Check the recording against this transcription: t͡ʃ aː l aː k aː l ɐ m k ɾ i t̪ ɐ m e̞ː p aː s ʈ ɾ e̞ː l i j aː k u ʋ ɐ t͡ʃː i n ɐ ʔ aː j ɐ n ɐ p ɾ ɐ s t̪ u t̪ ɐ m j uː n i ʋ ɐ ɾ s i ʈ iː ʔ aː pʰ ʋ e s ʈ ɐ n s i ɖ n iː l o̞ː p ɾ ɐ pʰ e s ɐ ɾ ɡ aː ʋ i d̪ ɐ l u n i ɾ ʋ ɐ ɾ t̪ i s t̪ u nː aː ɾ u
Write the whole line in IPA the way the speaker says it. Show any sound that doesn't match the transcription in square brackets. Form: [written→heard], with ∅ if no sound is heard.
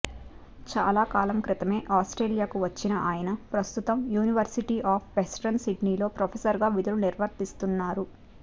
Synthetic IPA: t͡ʃ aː l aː k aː l ɐ m k ɾ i t̪ ɐ m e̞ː [p→ʔ] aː s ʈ ɾ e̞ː l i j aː k u ʋ ɐ t͡ʃː i n ɐ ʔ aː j ɐ n ɐ p ɾ ɐ s t̪ u t̪ ɐ m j uː n i ʋ ɐ ɾ s i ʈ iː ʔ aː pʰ ʋ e s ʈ ɐ n s i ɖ n iː l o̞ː p ɾ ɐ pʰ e s ɐ ɾ ɡ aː ʋ i d̪ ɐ l u n i ɾ ʋ ɐ ɾ t̪ i s t̪ u nː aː ɾ u